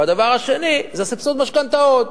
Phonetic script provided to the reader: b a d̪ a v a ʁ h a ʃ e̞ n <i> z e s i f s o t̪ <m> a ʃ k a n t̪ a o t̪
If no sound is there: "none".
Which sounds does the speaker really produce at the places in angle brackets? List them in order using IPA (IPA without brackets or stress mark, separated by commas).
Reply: i, m